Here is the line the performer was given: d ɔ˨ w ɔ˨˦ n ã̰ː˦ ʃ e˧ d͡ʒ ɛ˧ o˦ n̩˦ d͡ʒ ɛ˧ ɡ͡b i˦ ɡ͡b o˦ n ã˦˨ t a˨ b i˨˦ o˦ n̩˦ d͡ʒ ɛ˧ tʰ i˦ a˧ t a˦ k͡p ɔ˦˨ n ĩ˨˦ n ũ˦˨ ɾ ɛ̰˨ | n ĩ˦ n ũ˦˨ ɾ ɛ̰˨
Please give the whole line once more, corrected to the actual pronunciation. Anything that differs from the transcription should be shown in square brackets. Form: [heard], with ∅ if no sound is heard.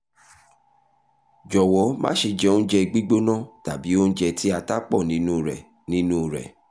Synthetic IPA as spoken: [d͡ʒ] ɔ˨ w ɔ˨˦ [m] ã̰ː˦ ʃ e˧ d͡ʒ ɛ˧ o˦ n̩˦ d͡ʒ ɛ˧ ɡ͡b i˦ ɡ͡b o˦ n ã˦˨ t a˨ b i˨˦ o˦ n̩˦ d͡ʒ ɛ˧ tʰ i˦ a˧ t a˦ k͡p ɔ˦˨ n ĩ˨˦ n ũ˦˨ ɾ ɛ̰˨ | n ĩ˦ n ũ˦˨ ɾ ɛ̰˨

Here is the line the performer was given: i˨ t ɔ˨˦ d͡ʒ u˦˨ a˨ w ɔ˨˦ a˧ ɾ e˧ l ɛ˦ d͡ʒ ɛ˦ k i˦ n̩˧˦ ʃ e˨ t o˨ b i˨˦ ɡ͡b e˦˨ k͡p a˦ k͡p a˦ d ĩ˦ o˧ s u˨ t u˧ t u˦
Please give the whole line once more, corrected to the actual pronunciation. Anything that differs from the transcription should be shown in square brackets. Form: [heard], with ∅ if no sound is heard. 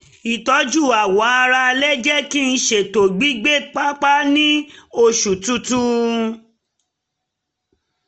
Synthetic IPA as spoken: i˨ t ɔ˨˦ d͡ʒ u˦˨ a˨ w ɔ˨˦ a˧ ɾ [a˧] l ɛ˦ d͡ʒ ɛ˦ k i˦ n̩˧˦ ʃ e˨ t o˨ [ɡ͡b] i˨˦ ɡ͡b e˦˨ k͡p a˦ k͡p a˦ [n] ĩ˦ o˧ [ʃ] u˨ t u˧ t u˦

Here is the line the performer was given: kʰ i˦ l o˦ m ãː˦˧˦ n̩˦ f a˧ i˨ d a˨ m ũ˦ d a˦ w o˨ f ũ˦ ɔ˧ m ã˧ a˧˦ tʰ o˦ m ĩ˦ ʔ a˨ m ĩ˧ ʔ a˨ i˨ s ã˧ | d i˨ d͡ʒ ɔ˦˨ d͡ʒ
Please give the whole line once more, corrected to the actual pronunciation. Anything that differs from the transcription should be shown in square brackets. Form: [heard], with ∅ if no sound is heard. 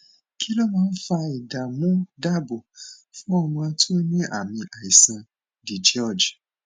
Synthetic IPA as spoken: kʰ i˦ l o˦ m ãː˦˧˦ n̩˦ f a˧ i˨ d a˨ m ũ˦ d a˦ [b] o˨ f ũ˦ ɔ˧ m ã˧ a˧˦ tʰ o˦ [ɲ] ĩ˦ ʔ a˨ m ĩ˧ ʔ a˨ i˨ s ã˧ | d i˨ d͡ʒ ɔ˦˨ d͡ʒ

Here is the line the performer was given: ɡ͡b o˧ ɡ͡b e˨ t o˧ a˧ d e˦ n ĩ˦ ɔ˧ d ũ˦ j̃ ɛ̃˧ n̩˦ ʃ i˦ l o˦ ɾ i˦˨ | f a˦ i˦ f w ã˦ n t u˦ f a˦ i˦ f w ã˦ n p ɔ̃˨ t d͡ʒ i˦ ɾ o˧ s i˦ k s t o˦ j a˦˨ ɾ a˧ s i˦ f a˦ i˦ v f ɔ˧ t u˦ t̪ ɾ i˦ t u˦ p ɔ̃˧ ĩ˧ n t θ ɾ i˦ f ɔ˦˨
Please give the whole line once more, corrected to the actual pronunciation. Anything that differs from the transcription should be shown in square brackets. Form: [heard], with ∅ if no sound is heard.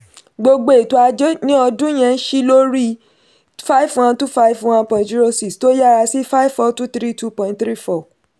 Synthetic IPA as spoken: ɡ͡b o˧ ɡ͡b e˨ t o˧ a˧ [d͡ʒ] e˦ n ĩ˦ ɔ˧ d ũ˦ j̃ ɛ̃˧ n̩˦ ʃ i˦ l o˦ ɾ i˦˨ | f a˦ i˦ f w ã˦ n t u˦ f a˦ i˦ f w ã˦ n p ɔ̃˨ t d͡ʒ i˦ ɾ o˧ s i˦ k s t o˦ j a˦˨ ɾ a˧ s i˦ f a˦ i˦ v f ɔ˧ t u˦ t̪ ɾ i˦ t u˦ p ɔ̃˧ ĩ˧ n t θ ɾ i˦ f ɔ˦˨

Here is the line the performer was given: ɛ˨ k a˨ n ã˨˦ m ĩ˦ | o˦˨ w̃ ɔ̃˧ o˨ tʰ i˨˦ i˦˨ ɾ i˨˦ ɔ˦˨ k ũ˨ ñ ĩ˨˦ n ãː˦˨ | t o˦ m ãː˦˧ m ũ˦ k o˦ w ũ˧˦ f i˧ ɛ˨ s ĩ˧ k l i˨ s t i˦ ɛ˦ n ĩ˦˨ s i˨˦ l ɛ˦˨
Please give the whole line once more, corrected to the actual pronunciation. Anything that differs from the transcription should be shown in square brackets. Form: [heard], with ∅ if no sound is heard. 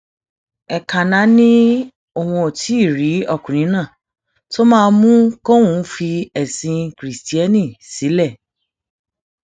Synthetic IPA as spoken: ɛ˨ k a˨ n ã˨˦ [n] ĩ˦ | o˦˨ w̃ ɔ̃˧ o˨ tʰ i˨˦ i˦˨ ɾ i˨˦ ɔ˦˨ k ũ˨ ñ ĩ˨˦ n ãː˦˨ | t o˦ m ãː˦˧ m ũ˦ k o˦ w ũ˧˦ f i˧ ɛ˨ s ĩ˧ k [ɾ] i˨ s t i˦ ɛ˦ n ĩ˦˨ s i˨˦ l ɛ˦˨

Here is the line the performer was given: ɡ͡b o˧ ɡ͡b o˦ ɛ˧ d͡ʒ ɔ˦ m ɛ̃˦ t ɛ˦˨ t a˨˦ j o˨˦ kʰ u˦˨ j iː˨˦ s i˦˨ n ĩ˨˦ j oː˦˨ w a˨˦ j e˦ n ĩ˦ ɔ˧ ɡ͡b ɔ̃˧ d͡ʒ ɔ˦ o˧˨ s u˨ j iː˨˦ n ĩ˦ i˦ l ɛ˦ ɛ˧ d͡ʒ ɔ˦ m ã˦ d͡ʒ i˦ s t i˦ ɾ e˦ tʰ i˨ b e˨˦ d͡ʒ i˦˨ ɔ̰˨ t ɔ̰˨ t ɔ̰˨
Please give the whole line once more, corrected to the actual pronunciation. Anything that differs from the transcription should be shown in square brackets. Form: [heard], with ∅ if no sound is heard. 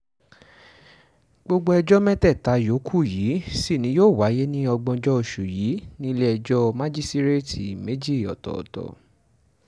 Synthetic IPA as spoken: ɡ͡b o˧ ɡ͡b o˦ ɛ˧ d͡ʒ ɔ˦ m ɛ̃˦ t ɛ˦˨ t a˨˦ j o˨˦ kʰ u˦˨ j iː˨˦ s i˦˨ n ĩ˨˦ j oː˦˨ w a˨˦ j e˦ n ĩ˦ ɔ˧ ɡ͡b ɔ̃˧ d͡ʒ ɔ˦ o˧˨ [ʃ] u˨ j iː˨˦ n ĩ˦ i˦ l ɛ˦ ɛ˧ d͡ʒ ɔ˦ m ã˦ d͡ʒ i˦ s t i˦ ɾ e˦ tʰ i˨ [m] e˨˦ d͡ʒ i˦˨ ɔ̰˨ t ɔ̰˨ t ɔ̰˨

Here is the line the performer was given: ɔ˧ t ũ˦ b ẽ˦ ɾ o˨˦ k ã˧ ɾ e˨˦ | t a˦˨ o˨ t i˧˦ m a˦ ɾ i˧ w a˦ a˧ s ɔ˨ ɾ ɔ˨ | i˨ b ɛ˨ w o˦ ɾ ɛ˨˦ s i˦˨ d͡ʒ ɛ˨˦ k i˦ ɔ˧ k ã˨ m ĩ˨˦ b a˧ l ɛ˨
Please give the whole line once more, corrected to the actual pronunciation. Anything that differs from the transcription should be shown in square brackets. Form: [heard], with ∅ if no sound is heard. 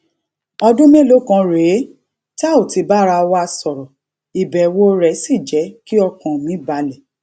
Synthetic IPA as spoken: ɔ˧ [d] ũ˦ [m] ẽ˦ [l] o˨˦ k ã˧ ɾ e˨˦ | t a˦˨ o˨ t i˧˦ [b] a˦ ɾ [a˧] w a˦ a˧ s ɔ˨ ɾ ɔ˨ | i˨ b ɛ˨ w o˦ ɾ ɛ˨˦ s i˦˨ d͡ʒ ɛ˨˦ k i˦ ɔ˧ k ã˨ m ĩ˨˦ b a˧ l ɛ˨

